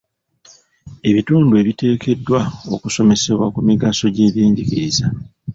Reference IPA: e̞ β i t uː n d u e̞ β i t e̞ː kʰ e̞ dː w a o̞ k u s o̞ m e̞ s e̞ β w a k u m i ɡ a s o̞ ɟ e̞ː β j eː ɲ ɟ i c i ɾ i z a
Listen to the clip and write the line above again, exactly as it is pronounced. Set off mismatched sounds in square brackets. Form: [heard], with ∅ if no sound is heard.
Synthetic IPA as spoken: e̞ β i t uː n d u e̞ β i t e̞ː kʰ e̞ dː w a o̞ k u s o̞ m e̞ s e̞ β w a k u m i ɡ a s o̞ ɟ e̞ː β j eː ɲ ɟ i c i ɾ i z a